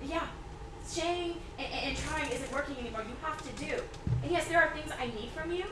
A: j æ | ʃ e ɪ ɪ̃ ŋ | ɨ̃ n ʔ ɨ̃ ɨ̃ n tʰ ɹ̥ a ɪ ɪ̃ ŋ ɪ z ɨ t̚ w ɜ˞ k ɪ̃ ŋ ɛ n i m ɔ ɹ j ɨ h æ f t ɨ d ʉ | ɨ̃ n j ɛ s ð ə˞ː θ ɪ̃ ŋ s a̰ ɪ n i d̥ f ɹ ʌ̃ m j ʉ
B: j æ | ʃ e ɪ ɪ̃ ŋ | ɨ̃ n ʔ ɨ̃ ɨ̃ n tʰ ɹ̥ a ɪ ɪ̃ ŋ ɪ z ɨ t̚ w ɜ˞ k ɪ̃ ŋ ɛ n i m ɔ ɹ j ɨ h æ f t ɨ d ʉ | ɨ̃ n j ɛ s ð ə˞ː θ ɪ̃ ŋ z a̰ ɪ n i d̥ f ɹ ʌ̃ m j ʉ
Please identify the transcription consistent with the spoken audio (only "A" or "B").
B